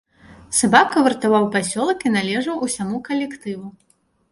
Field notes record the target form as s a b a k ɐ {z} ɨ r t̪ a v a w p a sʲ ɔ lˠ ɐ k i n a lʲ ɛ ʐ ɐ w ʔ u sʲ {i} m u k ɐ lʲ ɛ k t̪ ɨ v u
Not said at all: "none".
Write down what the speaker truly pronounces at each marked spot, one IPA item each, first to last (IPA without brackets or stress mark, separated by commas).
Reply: v, a